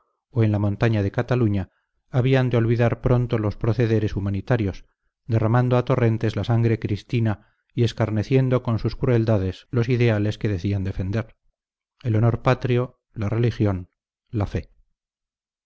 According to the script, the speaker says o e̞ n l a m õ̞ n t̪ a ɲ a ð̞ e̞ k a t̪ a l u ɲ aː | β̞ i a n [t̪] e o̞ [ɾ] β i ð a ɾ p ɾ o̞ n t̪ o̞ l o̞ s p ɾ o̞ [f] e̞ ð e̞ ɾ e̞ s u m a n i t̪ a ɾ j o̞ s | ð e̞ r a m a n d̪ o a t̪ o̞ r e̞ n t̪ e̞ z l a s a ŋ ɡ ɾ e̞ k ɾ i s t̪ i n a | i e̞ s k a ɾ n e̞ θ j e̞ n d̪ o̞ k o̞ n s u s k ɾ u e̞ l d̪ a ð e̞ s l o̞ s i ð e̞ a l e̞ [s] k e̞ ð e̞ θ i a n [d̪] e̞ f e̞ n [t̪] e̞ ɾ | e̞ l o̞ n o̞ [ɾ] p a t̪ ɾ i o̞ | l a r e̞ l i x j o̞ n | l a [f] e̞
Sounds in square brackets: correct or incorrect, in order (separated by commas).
incorrect, incorrect, incorrect, correct, correct, incorrect, correct, correct